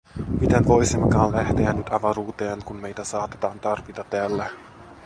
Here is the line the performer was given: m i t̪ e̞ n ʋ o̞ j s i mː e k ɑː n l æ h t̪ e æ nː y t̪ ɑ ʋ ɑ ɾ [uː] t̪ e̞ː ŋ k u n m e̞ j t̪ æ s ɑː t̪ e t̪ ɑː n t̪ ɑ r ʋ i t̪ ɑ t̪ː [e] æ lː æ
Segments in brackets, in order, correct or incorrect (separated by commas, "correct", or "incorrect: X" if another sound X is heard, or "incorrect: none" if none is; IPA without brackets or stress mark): correct, correct